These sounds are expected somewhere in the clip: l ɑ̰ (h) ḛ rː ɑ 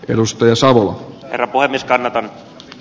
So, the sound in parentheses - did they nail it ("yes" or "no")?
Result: yes